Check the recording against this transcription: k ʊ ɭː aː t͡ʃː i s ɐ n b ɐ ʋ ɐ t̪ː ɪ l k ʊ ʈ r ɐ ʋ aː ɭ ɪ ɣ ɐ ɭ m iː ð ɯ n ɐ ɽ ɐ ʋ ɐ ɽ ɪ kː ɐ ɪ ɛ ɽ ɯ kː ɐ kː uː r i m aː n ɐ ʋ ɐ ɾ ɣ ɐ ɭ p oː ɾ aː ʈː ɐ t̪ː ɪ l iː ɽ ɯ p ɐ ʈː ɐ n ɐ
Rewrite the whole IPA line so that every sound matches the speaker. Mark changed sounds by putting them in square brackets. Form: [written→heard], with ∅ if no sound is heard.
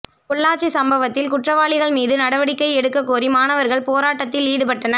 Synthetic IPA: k ʊ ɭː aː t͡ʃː i s ɐ [n→m] b ɐ ʋ ɐ t̪ː ɪ l k ʊ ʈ r ɐ ʋ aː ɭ ɪ ɣ ɐ ɭ m iː ð ɯ n ɐ ɽ ɐ ʋ ɐ ɽ ɪ kː ɐ ɪ ɛ ɽ ɯ kː ɐ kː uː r i m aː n ɐ ʋ ɐ ɾ ɣ ɐ ɭ p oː ɾ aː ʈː ɐ t̪ː ɪ l iː ɽ ɯ p ɐ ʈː ɐ n ɐ

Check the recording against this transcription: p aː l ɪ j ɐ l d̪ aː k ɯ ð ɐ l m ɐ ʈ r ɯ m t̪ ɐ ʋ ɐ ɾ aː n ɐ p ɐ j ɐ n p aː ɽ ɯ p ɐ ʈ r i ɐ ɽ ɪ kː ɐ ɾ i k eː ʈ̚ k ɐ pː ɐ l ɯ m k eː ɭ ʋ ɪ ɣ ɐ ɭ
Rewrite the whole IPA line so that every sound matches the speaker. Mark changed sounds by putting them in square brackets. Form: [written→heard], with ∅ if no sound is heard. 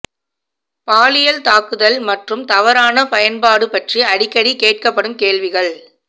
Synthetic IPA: p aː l ɪ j ɐ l [d̪→t̪] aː k ɯ ð ɐ l m ɐ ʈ r ɯ m t̪ ɐ ʋ ɐ ɾ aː n ɐ p ɐ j ɐ n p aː ɽ ɯ p ɐ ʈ r i ɐ ɽ ɪ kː ɐ [ɾ→ɽ] i k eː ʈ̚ k ɐ pː ɐ [l→ɽ] ɯ m k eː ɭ ʋ ɪ ɣ ɐ ɭ

